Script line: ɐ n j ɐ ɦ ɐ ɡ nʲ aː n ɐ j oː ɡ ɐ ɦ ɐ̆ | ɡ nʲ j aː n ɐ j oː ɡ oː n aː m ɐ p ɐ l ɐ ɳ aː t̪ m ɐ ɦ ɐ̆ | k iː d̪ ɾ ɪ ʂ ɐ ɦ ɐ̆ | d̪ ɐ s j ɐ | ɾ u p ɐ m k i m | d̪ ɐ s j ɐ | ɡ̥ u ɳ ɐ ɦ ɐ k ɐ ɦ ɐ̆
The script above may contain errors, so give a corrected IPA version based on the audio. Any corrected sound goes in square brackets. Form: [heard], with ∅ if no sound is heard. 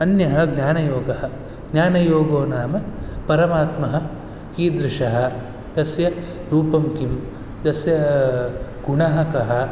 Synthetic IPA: ɐ n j ɐ ɦ ɐ ɡ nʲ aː n ɐ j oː ɡ ɐ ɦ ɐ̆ | ɡ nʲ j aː n ɐ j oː ɡ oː n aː m ɐ p ɐ [ɾ] ɐ [m] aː t̪ m ɐ ɦ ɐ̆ | k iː d̪ ɾ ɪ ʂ ɐ ɦ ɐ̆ | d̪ ɐ s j ɐ | ɾ [uː] p ɐ m k i m | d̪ ɐ s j ɐ | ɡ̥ u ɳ ɐ ɦ ɐ k ɐ ɦ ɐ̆